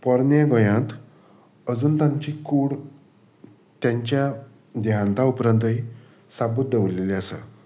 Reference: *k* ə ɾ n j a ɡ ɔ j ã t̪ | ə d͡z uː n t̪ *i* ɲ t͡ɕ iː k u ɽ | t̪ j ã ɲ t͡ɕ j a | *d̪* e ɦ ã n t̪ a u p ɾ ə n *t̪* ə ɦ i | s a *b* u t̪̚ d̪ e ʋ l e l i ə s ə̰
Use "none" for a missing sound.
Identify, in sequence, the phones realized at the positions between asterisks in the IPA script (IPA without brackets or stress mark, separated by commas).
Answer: p, a, d̪, t̪, b